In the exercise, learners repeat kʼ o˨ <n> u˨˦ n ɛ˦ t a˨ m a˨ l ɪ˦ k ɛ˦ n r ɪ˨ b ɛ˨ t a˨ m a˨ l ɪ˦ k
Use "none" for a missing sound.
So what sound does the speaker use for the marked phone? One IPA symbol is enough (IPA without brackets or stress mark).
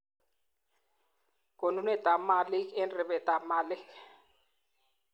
n